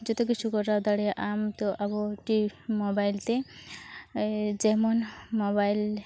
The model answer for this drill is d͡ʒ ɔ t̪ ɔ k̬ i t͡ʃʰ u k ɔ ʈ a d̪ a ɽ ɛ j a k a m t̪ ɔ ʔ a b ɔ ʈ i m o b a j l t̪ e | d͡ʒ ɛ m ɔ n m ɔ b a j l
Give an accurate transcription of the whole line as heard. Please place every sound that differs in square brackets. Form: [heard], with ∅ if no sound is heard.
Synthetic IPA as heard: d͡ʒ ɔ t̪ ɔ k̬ i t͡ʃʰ u k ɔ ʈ a d̪ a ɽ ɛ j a [ʔ] a m t̪ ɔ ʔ a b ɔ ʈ i m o b a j l t̪ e | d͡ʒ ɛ m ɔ n m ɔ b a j l